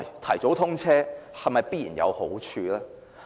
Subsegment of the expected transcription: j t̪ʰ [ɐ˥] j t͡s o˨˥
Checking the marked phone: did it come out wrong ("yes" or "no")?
yes